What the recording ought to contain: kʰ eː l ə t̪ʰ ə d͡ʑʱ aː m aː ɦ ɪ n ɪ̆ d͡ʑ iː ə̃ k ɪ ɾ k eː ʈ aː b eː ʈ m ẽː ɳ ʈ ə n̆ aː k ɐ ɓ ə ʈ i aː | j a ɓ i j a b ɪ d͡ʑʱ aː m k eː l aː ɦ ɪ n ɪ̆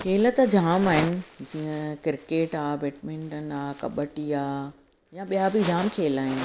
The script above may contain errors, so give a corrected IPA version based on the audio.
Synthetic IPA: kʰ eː l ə t̪ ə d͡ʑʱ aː m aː ɦ ɪ n ɪ̆ d͡ʑ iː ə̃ k ɪ ɾ k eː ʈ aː b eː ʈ m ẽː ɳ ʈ ə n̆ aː k ɐ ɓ ə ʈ i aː | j a ɓ i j a b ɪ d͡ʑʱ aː m kʰ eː l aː ɦ ɪ n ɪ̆